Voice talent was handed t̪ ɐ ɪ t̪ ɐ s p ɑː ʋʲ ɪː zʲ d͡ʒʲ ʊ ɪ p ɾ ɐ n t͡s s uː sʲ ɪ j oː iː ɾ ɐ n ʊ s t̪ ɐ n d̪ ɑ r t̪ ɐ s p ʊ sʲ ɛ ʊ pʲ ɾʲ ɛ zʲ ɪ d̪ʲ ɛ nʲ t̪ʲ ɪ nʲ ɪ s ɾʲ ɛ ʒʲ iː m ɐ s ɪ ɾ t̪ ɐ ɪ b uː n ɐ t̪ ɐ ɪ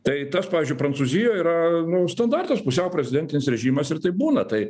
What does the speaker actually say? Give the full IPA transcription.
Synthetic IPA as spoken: t̪ ɐ ɪ t̪ ɐ s p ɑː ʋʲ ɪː zʲ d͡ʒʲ ʊ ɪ p ɾ ɐ n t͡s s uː zʲ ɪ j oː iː ɾ ɐ n ʊ s t̪ ɐ n d̪ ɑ r t̪ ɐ s p ʊ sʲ ɛ ʊ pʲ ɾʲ ɛ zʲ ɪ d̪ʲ ɛ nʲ t̪ʲ ɪ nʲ ɪ s ɾʲ ɛ ʒʲ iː m ɐ s ɪ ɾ t̪ ɐ ɪ b uː n ɐ t̪ ɐ ɪ